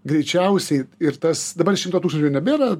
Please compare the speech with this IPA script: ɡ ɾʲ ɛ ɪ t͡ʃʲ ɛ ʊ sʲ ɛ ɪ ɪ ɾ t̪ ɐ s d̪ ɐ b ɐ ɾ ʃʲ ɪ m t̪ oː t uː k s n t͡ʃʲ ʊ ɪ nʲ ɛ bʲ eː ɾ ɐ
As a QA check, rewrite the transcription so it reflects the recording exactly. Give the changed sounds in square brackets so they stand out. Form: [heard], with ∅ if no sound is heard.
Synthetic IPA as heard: ɡ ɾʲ ɛ ɪ t͡ʃʲ ɛ ʊ sʲ ɛ ɪ ɪ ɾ t̪ ɐ s d̪ ɐ b ɐ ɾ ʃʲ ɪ m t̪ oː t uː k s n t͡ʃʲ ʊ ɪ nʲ ɛ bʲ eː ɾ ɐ

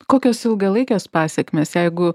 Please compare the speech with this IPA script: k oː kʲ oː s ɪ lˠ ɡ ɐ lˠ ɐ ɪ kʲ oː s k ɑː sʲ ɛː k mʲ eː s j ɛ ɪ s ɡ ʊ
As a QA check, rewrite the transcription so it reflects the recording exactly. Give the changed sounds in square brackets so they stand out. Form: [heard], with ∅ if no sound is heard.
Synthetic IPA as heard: k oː kʲ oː s ɪ lˠ ɡ ɐ lˠ ɐ ɪ kʲ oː s [p] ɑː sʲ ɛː k mʲ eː s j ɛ ɪ [∅] ɡ ʊ

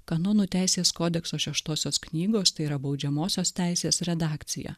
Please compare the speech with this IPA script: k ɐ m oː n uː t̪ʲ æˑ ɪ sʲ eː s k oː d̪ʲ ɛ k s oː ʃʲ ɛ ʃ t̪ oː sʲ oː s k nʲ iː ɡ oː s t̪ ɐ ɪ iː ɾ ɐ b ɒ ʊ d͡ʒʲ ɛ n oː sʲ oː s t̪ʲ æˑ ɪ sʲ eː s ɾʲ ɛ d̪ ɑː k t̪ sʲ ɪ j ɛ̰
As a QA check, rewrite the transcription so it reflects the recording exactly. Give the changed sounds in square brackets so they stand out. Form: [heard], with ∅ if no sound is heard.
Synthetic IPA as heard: k ɐ [n] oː n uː t̪ʲ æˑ ɪ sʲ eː s k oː d̪ʲ ɛ k s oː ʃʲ ɛ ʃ t̪ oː sʲ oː s k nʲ iː ɡ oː s t̪ ɐ ɪ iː ɾ ɐ b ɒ ʊ d͡ʒʲ ɛ [m] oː sʲ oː s t̪ʲ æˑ ɪ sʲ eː s ɾʲ ɛ d̪ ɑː k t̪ sʲ ɪ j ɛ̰

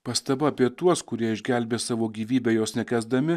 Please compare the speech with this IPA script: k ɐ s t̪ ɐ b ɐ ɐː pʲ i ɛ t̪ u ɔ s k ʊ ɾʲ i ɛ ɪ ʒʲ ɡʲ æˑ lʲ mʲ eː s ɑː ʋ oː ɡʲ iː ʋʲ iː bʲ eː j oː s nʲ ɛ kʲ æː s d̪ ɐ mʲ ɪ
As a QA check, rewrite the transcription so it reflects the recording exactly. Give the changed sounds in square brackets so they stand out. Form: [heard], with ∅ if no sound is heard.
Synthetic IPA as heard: [p] ɐ s t̪ ɐ b ɐ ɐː pʲ i ɛ t̪ u ɔ s k ʊ ɾʲ i ɛ ɪ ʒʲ ɡʲ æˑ lʲ [bʲ] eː s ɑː ʋ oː ɡʲ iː ʋʲ iː bʲ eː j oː s nʲ ɛ kʲ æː [z] d̪ ɐ mʲ ɪ

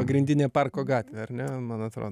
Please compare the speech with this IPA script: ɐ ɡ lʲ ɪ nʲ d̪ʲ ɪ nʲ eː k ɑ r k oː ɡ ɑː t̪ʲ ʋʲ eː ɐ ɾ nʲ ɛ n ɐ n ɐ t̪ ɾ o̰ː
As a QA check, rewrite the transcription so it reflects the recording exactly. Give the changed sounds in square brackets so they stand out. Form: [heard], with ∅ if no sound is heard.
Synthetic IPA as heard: ɐ ɡ [ɾʲ] ɪ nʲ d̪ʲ ɪ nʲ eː [p] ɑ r k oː ɡ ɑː t̪ʲ ʋʲ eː ɐ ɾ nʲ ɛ [m] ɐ n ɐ t̪ ɾ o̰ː

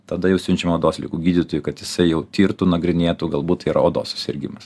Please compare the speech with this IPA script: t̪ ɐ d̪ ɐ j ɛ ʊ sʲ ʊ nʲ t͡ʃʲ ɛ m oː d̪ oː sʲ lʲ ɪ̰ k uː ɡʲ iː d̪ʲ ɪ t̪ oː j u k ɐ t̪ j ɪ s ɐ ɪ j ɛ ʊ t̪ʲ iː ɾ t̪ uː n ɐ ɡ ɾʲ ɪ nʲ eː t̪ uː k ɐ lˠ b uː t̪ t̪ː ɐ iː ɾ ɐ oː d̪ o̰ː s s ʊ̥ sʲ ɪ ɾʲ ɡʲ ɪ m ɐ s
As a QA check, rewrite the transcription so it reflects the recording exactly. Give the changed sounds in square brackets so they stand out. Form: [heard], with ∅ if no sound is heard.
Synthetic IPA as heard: t̪ ɐ d̪ ɐ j ɛ ʊ sʲ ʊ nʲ t͡ʃʲ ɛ m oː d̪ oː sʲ lʲ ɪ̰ k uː ɡʲ iː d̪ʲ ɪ t̪ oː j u k ɐ t̪ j ɪ s ɐ ɪ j ɛ ʊ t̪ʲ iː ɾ t̪ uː n ɐ ɡ ɾʲ ɪ nʲ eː t̪ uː [ɡ] ɐ lˠ b uː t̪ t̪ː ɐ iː ɾ ɐ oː d̪ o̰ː s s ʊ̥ sʲ ɪ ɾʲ ɡʲ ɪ m ɐ s

